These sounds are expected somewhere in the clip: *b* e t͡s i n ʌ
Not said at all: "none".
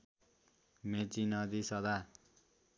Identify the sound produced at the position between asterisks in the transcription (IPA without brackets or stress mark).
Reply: m